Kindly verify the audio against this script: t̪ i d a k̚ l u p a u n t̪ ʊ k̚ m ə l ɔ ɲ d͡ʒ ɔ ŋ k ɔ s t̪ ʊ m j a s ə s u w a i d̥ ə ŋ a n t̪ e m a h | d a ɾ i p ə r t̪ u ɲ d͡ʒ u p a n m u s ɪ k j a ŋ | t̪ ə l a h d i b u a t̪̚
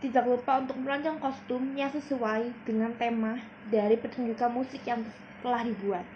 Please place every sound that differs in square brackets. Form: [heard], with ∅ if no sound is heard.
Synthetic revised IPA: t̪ i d a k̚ l u p a u n t̪ ʊ k̚ m ə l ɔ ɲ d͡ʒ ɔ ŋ k ɔ s t̪ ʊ m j a s ə s u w a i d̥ ə ŋ a n t̪ e m a h | d a ɾ i p ə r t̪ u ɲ d͡ʒ u [k] a n m u s ɪ k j a ŋ | t̪ ə l a h d i b u a t̪̚